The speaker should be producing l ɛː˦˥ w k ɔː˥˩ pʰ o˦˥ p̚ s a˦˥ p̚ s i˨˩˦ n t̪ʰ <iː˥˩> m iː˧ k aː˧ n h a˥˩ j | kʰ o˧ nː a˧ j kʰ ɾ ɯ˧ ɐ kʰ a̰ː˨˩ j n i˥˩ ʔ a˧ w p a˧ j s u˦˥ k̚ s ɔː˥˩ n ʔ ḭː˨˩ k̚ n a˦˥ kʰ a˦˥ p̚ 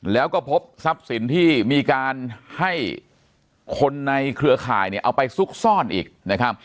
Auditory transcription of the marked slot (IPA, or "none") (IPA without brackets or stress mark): iː˥˩